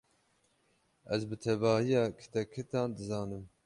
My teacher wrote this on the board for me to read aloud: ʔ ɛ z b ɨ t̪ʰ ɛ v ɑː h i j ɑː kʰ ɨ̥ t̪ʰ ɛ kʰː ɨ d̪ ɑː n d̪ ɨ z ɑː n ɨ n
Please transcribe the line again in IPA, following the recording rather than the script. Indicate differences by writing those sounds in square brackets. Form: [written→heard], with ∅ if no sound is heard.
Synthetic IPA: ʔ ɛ z b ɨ t̪ʰ ɛ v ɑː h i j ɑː kʰ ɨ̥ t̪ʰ ɛ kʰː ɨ [d̪→t̪] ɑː n d̪ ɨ z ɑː n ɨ [n→m]